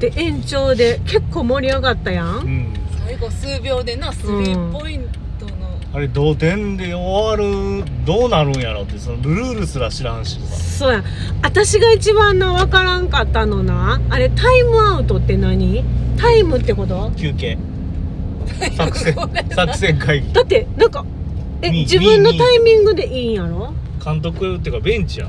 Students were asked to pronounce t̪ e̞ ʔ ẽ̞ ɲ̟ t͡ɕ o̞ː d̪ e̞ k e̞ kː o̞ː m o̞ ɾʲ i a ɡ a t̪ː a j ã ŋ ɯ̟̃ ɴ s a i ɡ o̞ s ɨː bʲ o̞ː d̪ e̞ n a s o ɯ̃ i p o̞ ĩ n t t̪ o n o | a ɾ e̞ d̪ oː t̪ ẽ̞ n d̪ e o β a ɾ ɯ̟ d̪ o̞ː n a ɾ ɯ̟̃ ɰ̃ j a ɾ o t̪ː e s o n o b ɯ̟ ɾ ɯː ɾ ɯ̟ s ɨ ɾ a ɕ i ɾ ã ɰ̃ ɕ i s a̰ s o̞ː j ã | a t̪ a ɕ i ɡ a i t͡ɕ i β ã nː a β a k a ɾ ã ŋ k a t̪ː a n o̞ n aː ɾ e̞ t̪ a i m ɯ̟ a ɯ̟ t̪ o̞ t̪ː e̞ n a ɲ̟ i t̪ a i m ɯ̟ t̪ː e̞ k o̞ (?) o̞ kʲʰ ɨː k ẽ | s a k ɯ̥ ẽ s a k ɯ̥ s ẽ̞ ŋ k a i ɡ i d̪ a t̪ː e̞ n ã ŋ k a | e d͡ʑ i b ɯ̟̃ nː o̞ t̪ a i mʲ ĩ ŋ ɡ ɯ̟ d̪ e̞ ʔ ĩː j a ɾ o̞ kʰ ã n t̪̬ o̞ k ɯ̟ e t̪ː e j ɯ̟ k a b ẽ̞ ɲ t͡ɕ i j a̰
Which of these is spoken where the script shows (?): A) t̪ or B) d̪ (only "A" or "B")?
A